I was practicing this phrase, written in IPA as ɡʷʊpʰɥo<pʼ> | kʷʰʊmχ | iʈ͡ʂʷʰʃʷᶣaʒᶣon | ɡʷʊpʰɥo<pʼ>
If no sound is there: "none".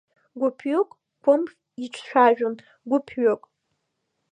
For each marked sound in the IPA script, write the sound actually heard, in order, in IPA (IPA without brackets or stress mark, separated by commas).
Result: kʼ, kʼ